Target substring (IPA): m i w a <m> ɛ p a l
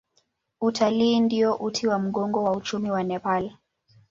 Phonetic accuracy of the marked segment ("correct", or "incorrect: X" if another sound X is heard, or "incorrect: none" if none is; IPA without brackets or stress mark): incorrect: n